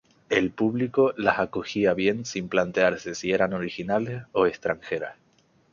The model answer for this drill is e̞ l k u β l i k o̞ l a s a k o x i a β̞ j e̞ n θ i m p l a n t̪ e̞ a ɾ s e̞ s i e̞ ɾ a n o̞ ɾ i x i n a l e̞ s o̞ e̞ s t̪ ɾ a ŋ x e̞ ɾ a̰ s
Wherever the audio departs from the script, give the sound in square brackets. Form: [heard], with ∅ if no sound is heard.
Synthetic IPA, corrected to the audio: e̞ l [p] u β l i k o̞ l a s a k o x i a β̞ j e̞ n [s] i m p l a n t̪ e̞ a ɾ s e̞ s i e̞ ɾ a n o̞ ɾ i x i n a l e̞ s o̞ e̞ s t̪ ɾ a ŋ x e̞ ɾ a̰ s